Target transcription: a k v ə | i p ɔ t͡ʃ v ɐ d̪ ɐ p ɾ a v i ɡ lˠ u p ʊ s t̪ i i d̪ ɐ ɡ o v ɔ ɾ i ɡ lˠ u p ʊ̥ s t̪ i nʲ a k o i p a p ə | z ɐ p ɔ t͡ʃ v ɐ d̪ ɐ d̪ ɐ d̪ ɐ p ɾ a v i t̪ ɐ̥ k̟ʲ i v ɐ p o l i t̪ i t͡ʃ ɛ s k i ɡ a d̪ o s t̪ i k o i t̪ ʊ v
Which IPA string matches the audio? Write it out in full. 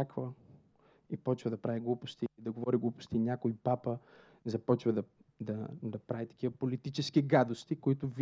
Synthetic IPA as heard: a k v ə | i p ɔ t͡ʃ v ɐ d̪ ɐ p ɾ a v i ɡ lˠ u p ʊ s t̪ i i d̪ ɐ ɡ o v ɔ ɾ i ɡ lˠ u p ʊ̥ s t̪ i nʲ a k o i p a p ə | z ɐ p ɔ t͡ʃ v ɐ d̪ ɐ d̪ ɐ d̪ ɐ p ɾ a v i t̪ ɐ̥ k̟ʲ i v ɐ p o l i t̪ i t͡ʃ ɛ s k i ɡ a d̪ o s t̪ i k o i t̪ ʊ v